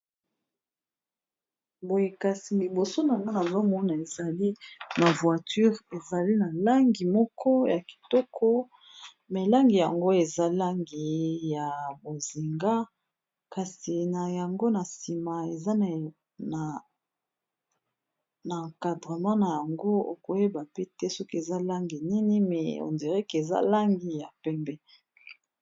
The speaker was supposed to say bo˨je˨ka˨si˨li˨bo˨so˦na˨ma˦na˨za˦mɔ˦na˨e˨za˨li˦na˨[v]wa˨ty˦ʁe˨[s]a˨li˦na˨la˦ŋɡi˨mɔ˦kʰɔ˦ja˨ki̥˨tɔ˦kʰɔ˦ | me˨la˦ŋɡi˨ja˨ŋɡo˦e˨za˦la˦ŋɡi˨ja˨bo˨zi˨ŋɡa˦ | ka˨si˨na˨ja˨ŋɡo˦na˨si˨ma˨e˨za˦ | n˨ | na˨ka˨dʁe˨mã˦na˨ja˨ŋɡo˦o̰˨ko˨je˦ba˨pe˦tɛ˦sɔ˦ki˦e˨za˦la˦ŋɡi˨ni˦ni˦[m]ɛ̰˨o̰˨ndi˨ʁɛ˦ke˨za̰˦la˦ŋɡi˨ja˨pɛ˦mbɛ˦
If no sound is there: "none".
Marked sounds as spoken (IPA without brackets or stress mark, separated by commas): v, z, m